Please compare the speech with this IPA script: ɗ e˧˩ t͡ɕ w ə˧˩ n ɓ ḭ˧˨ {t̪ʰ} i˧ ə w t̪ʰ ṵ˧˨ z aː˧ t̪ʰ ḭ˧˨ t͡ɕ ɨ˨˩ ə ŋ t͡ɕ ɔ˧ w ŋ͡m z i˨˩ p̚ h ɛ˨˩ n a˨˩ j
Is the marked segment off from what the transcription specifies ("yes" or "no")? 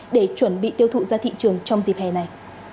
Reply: yes